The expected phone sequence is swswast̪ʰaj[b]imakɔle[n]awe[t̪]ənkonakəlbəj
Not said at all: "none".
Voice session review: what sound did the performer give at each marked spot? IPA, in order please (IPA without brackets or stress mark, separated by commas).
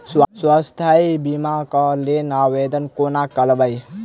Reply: b, n, d̪